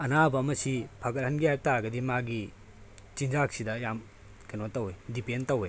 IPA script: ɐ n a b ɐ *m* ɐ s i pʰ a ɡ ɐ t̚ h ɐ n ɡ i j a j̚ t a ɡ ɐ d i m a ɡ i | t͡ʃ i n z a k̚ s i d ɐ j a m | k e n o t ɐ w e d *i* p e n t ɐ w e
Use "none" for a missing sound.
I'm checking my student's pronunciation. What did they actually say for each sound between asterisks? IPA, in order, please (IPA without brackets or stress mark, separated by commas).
m, i